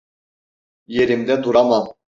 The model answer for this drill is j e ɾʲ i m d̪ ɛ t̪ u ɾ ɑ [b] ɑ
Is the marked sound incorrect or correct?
incorrect